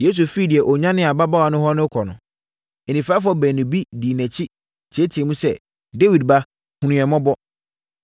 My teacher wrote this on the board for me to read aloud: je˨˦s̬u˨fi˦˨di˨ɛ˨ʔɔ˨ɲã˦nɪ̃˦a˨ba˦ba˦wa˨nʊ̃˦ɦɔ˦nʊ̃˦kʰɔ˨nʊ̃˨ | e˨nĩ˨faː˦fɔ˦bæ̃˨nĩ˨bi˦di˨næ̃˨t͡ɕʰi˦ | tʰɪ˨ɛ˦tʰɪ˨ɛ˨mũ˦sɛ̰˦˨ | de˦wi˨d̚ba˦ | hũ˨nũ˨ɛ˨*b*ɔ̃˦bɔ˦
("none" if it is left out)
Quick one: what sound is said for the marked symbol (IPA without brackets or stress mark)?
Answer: m